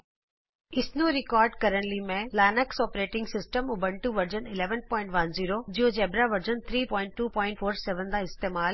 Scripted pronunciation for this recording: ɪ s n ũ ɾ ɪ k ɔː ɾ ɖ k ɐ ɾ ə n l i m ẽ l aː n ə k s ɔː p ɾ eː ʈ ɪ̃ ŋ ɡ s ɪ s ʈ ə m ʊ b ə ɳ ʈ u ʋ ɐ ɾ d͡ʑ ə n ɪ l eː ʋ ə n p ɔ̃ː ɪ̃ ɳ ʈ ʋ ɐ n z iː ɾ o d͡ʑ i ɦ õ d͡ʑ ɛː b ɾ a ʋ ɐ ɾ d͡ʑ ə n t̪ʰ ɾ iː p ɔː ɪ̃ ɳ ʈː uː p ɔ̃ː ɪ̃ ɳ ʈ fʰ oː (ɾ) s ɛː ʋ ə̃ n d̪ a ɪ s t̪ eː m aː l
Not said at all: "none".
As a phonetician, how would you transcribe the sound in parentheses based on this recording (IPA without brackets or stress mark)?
ɾ